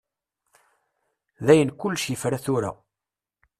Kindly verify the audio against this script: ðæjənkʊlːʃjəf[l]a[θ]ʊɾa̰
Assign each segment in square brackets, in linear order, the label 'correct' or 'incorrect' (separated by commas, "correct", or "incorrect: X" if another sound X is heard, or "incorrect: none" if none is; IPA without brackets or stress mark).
incorrect: ɾ, correct